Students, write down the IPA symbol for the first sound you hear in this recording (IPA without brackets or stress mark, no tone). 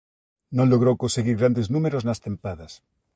n